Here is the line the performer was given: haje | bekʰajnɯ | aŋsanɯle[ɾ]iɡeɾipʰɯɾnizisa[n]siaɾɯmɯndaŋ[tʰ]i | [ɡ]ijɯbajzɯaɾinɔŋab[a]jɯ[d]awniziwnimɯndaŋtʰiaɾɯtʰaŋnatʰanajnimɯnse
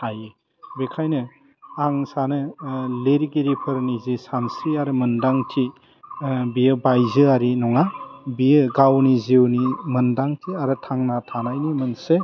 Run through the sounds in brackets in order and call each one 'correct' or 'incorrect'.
correct, correct, correct, incorrect: b, incorrect: i, incorrect: ɡ

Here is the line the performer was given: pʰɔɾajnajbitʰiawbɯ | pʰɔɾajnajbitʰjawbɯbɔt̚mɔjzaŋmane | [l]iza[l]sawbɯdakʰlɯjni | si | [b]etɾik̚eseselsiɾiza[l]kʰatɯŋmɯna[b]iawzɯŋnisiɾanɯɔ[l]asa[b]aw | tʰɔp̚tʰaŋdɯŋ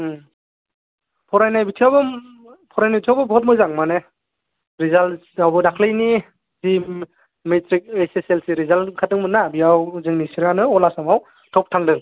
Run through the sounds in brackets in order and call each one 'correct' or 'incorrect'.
incorrect: ɾ, correct, incorrect: m, correct, correct, correct, incorrect: m

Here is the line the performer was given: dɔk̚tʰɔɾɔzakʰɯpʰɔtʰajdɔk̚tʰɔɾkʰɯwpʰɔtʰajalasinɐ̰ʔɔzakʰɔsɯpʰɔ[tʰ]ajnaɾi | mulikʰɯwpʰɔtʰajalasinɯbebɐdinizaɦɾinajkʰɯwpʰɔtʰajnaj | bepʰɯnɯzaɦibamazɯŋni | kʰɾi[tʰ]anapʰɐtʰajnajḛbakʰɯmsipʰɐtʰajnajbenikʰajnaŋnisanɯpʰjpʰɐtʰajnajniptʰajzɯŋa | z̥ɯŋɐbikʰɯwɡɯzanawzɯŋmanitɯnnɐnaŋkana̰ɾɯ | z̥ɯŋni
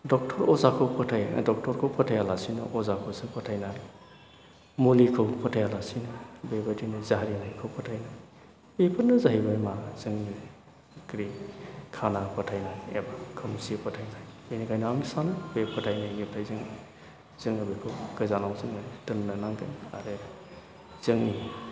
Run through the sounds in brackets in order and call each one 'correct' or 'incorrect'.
correct, incorrect: kʰ

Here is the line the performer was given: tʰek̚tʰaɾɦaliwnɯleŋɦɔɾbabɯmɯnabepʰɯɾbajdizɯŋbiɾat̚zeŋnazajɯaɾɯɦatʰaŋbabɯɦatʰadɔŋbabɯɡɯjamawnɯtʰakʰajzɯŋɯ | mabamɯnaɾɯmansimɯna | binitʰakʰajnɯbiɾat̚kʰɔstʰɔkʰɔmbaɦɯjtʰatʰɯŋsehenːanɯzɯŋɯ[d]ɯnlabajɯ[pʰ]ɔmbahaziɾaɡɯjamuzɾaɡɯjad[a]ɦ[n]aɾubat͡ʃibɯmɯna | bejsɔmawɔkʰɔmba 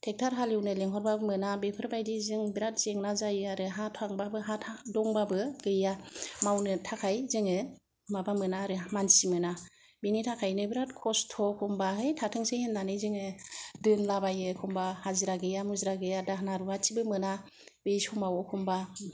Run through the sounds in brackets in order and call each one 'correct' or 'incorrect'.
correct, incorrect: kʰ, correct, correct

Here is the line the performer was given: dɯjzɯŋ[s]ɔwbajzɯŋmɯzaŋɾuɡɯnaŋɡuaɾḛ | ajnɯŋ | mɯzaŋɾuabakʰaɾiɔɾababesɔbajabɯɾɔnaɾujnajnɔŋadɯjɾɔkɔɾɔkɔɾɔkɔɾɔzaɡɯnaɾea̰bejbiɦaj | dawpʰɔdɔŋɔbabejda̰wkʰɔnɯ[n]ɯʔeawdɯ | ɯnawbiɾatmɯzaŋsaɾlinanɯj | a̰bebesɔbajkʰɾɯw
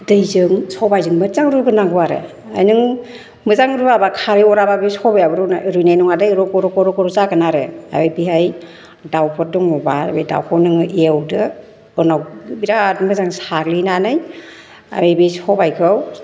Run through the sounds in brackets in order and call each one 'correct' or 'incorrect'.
correct, incorrect: ŋ

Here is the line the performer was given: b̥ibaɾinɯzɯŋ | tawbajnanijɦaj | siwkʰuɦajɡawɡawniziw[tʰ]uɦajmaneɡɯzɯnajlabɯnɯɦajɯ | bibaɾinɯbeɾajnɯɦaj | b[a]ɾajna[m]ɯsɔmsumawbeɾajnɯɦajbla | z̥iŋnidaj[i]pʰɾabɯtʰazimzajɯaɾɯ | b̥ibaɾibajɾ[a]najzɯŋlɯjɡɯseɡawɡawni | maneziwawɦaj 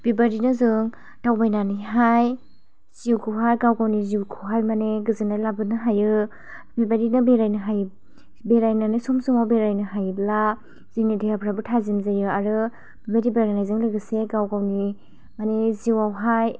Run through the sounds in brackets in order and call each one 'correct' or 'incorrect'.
incorrect: kʰ, incorrect: e, incorrect: n, incorrect: a, correct

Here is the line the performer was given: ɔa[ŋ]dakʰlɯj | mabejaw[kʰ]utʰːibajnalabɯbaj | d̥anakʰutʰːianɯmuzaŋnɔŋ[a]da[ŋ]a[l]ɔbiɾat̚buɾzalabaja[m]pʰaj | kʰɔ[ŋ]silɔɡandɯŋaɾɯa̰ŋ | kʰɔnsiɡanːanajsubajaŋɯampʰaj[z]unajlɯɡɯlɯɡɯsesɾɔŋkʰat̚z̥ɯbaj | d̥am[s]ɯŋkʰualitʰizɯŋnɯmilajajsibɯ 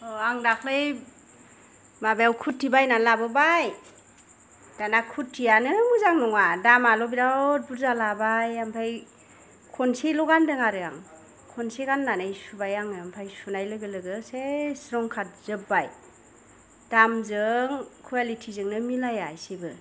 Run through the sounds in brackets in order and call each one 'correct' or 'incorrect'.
correct, correct, correct, incorrect: m, correct, correct, incorrect: n, incorrect: s, incorrect: z

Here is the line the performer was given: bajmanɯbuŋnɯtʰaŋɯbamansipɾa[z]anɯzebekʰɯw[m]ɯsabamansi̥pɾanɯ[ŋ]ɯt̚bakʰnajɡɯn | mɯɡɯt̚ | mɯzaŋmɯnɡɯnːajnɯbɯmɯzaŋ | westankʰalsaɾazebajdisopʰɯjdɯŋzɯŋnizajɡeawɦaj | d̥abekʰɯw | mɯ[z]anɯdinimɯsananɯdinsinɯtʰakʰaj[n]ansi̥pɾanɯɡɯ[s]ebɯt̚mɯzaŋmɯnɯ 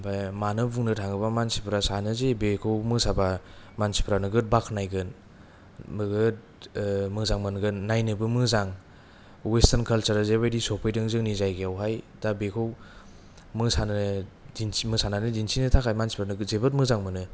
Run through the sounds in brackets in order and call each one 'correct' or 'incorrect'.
incorrect: s, correct, incorrect: ɡ, incorrect: s, incorrect: m, incorrect: z

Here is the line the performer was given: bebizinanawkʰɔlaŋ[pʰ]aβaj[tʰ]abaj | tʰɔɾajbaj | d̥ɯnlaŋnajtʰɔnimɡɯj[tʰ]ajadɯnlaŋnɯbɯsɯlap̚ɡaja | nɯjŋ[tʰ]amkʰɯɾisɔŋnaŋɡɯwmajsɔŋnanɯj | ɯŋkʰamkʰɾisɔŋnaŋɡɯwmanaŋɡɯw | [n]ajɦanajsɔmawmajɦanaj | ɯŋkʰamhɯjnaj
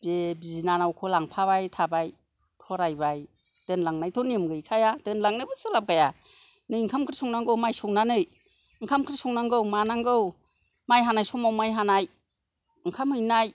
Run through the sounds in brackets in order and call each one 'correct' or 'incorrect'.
correct, correct, incorrect: kʰ, incorrect: kʰ, incorrect: m

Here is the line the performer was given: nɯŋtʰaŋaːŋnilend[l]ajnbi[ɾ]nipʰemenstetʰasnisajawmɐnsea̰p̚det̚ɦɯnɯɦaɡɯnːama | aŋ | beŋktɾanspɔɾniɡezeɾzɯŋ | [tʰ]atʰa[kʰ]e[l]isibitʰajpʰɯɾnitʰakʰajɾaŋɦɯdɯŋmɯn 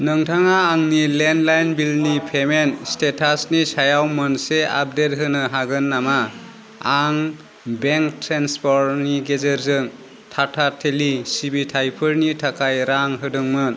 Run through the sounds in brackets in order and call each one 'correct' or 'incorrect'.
correct, incorrect: l, correct, incorrect: tʰ, correct

